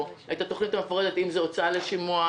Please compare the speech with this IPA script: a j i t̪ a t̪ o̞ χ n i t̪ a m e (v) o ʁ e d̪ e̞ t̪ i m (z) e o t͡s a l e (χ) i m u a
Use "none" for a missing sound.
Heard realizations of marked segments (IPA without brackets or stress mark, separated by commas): f, z, ʃ